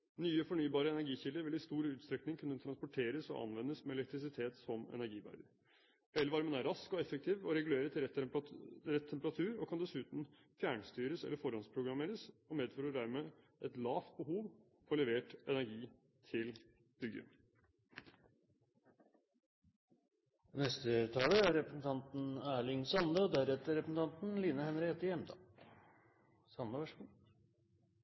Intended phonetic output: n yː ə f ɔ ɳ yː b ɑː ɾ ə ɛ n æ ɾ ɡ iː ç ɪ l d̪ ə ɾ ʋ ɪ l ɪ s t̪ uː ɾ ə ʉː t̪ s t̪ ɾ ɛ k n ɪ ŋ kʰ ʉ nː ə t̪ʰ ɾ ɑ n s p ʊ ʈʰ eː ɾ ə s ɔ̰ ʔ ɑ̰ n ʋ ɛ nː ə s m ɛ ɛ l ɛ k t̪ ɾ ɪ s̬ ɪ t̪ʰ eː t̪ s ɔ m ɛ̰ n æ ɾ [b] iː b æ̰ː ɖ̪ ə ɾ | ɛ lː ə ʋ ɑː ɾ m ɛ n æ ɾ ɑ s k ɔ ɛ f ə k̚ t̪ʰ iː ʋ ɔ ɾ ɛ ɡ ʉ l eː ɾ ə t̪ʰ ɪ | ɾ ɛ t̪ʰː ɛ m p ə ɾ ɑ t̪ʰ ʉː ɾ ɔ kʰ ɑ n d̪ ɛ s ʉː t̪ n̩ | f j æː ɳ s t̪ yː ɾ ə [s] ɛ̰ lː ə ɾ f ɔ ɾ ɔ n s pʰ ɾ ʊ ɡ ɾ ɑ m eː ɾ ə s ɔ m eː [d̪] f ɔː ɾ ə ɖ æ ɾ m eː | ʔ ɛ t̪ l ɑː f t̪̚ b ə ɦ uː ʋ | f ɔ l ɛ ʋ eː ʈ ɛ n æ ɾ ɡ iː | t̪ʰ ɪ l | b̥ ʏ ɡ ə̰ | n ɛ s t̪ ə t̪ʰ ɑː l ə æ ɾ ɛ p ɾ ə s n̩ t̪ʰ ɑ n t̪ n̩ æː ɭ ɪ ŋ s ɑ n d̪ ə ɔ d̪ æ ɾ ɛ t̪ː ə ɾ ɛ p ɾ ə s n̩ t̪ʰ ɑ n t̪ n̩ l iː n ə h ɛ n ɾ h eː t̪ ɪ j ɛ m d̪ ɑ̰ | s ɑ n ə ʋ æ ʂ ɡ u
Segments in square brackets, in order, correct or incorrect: incorrect: ɡ, correct, correct

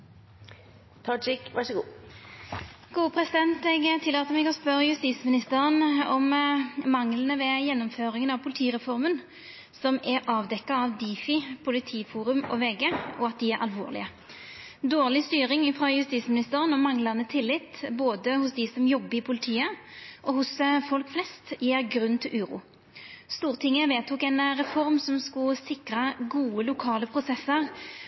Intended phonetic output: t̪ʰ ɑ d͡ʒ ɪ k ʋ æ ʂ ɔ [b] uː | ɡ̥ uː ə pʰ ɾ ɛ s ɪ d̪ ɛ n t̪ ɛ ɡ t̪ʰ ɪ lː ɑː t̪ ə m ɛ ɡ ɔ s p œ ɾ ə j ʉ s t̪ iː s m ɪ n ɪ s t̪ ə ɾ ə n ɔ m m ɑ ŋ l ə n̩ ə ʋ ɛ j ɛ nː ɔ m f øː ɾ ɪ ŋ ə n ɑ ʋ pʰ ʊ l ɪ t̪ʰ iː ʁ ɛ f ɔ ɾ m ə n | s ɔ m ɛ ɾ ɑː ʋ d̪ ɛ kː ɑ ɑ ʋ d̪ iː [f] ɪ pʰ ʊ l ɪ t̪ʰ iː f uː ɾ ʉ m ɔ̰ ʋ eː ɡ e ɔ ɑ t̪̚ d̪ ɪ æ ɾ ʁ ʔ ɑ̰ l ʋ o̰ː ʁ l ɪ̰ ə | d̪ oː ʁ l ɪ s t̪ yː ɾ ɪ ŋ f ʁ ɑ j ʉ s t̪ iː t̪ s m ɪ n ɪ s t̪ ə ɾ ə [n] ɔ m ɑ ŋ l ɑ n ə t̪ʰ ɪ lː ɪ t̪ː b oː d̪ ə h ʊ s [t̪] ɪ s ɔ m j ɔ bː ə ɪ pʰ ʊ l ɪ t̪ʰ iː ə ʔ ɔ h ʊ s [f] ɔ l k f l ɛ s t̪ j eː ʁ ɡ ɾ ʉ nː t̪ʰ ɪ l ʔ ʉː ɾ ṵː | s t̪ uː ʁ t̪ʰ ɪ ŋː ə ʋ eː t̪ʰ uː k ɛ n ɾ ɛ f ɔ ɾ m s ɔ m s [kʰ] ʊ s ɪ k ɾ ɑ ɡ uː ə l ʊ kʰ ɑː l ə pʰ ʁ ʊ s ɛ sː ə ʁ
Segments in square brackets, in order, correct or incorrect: incorrect: ɡ, correct, correct, incorrect: d̪, correct, incorrect: k

